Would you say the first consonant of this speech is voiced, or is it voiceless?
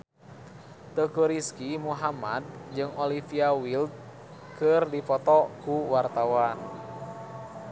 voiceless